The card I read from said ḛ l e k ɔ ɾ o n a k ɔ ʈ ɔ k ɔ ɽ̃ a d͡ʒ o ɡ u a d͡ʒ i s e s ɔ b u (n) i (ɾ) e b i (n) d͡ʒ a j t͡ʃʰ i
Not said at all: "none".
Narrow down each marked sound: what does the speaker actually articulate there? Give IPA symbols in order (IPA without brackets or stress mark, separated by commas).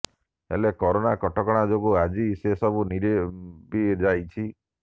n, ɾ, none